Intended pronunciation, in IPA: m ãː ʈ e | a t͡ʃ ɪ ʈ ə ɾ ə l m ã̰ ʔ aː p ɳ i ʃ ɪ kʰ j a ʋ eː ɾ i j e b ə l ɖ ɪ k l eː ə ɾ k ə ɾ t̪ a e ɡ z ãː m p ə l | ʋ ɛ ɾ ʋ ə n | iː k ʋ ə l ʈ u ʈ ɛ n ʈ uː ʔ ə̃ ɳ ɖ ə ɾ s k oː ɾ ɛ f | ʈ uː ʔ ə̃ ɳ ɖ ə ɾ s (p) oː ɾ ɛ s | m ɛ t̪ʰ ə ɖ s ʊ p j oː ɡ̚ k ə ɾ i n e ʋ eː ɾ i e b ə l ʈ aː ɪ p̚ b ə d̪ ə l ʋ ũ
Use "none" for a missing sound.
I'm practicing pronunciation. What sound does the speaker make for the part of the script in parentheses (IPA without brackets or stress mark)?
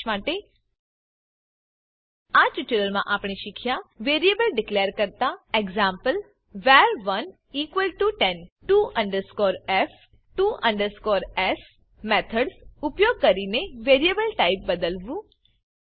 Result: k